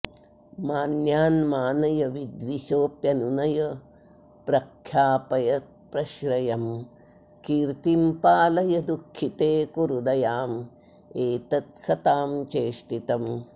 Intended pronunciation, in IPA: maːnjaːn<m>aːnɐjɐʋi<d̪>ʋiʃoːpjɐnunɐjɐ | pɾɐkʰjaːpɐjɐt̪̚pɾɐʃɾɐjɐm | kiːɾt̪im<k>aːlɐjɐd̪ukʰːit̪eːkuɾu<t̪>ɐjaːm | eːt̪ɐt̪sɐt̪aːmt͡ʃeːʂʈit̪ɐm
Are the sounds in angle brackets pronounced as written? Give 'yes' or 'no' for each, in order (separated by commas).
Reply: yes, yes, no, no